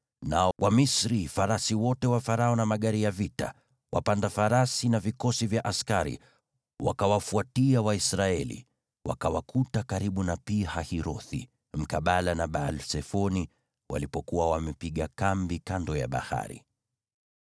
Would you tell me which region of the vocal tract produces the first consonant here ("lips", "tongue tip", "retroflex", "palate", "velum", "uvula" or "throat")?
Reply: tongue tip